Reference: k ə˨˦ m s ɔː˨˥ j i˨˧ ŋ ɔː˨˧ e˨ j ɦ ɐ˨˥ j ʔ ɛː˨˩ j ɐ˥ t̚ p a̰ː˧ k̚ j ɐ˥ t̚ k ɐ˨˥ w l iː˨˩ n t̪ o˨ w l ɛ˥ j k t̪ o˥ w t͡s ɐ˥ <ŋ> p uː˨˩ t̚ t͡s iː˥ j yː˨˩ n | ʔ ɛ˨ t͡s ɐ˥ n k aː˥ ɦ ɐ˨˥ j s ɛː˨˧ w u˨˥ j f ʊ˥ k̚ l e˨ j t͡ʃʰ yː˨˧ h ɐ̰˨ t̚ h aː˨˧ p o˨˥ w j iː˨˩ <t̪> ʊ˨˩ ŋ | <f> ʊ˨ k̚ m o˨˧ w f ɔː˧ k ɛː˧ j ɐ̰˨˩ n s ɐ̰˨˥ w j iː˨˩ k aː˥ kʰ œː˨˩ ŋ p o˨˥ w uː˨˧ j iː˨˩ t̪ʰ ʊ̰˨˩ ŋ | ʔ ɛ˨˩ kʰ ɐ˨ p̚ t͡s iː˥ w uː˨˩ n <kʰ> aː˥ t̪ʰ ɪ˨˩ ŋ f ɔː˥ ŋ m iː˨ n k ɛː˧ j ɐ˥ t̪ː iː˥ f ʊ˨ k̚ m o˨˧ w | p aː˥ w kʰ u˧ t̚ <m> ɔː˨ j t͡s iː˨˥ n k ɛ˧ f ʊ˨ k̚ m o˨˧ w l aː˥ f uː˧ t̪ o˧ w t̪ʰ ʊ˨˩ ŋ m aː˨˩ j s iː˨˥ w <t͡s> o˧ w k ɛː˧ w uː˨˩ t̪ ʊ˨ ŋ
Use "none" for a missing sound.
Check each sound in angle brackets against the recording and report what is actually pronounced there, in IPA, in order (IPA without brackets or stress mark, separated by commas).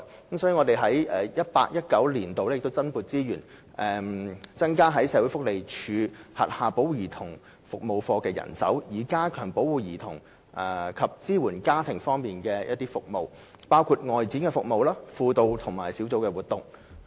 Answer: n, t̪ʰ, f, k, ŋ, t͡s